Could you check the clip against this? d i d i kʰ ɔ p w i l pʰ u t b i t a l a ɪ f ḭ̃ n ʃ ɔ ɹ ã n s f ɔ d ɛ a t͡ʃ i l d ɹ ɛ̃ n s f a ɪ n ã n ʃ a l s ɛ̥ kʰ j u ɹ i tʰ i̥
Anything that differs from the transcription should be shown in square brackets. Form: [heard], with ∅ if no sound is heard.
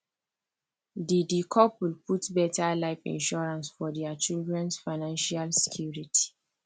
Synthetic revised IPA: d i d i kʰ ɔ p w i l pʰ u t b [ɛ] t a l a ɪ f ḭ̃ n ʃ ɔ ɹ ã n s f ɔ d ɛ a t͡ʃ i l d ɹ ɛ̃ n s f a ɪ n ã n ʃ a l s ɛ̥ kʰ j u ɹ i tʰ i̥

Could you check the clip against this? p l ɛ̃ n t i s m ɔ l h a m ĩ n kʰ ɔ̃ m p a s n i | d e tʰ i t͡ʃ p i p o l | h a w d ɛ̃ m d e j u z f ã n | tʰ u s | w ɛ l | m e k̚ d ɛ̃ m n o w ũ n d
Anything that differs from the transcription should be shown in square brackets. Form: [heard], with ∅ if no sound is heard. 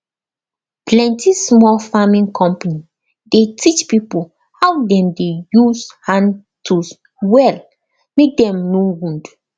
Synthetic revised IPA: p l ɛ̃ n t i s m ɔ l [f] a m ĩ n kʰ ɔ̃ m p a [∅] n i | d e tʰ i t͡ʃ p i p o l | h a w d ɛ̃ m d e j u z [h] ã n | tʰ u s | w ɛ l | m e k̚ d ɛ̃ m n o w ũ n d

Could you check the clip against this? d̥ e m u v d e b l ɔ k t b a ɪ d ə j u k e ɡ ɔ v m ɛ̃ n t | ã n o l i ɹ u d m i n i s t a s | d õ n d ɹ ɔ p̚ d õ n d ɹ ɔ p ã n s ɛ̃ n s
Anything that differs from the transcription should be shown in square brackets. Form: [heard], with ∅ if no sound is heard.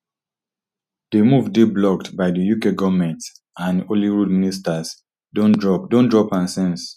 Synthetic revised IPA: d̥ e m u v d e b l ɔ k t b a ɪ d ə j u k e ɡ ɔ v m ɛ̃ n t | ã n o l i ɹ u d m i n i s t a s | d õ n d ɹ ɔ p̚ d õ n d ɹ ɔ p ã n s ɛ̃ n s

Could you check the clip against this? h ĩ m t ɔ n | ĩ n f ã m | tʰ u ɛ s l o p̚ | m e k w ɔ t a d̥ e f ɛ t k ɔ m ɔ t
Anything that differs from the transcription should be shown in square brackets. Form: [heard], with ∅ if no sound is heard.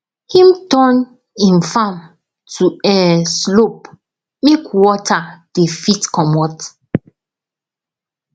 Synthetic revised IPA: h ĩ m t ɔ n | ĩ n f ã m | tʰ u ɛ s l o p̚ | m e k w ɔ t a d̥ e f [i] t k ɔ m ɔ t

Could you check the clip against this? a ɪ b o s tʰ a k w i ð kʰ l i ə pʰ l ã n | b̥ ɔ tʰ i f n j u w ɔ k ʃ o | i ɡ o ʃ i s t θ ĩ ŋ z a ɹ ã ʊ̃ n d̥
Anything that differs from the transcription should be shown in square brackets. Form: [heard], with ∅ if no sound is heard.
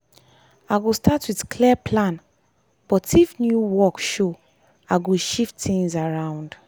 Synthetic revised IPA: a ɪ [ɡ] o s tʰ a [t] w i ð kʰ l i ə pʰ l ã n | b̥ ɔ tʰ i f n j u w ɔ k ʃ o | [a] ɡ o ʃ i [f] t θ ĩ ŋ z a ɹ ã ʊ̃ n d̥

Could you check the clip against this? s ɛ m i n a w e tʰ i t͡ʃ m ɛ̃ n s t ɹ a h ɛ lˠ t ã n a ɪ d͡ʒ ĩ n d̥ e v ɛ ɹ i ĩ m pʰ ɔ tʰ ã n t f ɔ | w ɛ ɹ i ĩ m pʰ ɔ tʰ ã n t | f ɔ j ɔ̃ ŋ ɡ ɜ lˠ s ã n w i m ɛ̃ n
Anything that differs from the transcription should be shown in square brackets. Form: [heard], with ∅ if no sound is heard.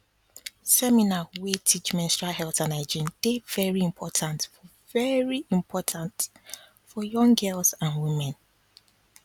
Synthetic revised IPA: s ɛ m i n a w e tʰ i t͡ʃ m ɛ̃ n s t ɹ a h ɛ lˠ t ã n a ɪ d͡ʒ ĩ n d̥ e v ɛ ɹ i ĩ m pʰ ɔ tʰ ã n t f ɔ | [v] ɛ ɹ i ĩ m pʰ ɔ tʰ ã n t | f ɔ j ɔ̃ ŋ ɡ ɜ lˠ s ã n w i m ɛ̃ n

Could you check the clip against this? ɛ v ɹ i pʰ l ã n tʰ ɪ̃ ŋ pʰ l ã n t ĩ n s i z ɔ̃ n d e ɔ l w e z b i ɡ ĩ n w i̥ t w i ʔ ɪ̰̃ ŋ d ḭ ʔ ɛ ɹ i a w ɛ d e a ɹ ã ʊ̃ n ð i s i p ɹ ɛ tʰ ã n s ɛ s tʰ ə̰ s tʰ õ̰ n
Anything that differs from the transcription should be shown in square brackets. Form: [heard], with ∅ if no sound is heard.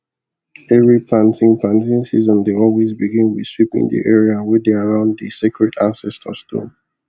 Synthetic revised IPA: ɛ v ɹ i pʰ l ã n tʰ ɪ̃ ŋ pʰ l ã n t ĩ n s i z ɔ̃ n d e ɔ l w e z b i ɡ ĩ n w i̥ [s] w i [p] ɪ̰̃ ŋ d ḭ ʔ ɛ ɹ i a w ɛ d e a ɹ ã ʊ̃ n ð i s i [k] ɹ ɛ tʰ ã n s ɛ s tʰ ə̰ s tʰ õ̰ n

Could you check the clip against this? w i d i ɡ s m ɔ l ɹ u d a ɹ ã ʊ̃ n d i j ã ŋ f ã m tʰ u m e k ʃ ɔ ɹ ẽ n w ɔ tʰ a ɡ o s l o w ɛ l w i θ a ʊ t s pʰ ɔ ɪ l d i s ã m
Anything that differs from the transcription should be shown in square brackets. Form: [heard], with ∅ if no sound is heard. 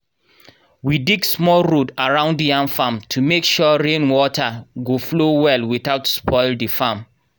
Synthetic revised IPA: w i d i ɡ s m ɔ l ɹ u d a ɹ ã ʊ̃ n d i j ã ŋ f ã m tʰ u m e k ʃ ɔ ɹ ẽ n w ɔ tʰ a ɡ o [f] l o w ɛ l w i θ a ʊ t s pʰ ɔ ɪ l d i [f] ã m

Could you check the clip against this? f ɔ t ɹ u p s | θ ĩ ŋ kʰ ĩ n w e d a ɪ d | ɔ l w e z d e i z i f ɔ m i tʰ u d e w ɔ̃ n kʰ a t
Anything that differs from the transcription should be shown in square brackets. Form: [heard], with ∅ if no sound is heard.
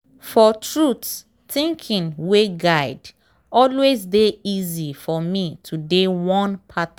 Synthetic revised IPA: f ɔ t ɹ u [t] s | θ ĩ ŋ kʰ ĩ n w e [ɡ] a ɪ d | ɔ l w e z d e i z i f ɔ m i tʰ u d e w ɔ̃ n [pʰ] a t

